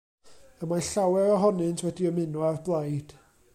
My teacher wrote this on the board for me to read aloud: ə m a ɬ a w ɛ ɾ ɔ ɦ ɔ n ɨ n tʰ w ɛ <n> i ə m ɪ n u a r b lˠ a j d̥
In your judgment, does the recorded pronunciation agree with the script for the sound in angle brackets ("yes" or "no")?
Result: no